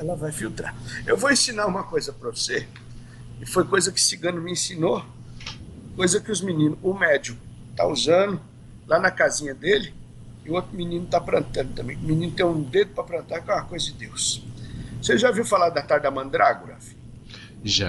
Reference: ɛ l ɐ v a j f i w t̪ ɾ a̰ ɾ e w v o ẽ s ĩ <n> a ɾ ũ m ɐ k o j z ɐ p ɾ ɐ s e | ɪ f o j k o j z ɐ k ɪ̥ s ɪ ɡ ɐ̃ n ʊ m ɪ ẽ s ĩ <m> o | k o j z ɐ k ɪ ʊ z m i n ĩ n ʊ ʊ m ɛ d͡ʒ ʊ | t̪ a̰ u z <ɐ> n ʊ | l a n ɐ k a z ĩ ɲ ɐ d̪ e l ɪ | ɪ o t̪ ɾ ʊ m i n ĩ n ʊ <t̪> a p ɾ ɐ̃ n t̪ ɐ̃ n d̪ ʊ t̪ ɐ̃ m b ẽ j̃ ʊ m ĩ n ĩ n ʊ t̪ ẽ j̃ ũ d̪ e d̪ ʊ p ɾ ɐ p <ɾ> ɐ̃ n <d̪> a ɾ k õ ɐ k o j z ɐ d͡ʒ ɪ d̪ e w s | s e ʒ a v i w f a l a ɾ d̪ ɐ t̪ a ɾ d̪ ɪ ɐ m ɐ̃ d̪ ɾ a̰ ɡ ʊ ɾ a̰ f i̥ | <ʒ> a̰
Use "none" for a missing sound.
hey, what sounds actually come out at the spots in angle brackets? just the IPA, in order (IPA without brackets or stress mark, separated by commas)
n, n, ɐ̃, t̪, ɾ, t̪, ʒ